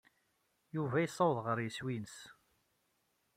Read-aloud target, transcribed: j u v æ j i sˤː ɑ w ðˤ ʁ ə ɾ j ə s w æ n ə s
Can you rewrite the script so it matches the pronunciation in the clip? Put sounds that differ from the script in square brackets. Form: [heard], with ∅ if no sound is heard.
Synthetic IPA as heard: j u v æ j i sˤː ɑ w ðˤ ʁ ə ɾ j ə s w [i] n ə s